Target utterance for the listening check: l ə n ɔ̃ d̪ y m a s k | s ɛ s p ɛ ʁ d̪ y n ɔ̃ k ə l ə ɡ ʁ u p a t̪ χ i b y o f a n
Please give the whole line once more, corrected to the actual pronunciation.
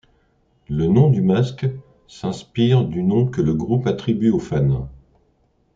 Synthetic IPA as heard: l ə n ɔ̃ d̪ y m a s k | s ɛ̃ s p i ʁ d̪ y n ɔ̃ k ə l ə ɡ ʁ u p a t̪ χ i b y o f a n